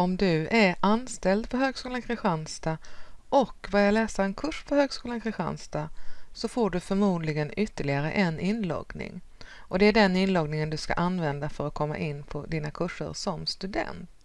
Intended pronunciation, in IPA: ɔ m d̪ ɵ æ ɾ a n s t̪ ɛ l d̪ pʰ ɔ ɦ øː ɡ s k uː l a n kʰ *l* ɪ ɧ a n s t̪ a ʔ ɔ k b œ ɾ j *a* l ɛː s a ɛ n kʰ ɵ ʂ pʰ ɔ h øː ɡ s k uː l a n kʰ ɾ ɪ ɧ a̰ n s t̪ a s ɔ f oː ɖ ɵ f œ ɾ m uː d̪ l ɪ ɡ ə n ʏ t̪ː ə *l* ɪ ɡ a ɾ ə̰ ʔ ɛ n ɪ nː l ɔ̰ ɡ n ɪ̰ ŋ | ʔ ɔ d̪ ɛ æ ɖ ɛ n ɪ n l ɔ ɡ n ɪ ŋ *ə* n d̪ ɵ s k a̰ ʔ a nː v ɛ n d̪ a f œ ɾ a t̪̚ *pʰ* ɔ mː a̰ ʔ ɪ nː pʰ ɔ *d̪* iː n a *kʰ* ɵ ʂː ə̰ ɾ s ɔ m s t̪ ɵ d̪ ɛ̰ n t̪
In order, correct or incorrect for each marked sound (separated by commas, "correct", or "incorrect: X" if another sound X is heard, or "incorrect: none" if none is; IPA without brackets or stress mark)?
incorrect: ɾ, correct, incorrect: ɭ, correct, incorrect: kʰ, correct, correct